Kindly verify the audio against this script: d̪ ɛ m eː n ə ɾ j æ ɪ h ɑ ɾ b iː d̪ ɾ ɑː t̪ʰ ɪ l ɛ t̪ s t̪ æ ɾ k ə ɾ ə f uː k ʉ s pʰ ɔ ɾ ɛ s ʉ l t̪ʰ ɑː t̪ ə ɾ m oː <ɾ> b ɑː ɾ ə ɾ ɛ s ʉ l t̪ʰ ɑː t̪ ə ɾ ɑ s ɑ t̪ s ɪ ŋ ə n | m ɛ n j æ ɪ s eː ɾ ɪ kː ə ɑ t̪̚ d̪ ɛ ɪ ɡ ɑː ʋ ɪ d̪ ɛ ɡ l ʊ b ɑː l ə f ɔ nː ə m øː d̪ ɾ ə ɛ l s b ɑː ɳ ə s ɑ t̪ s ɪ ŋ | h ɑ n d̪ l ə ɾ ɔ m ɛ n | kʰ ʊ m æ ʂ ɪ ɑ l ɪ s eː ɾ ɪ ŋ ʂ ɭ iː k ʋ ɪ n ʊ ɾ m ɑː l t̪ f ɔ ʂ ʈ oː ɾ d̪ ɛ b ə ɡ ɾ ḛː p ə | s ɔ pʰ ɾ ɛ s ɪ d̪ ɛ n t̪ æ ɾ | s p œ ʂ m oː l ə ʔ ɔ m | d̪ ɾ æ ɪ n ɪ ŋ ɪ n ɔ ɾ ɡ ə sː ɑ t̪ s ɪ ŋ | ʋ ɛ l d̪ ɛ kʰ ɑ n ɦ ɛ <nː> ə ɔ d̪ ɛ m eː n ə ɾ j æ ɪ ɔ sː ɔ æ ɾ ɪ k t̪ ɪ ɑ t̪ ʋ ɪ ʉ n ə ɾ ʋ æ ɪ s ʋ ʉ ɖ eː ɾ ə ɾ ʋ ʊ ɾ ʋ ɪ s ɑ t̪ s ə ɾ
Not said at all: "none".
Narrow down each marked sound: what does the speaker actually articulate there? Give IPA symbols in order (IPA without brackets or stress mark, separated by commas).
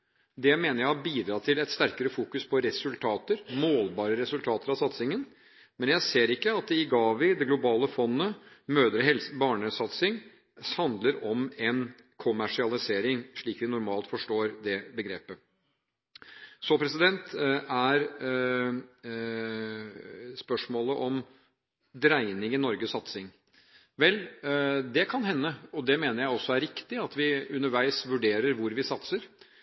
l, nː